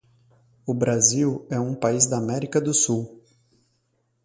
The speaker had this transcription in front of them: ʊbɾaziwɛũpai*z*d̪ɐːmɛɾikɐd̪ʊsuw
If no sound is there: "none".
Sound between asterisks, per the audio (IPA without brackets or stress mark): z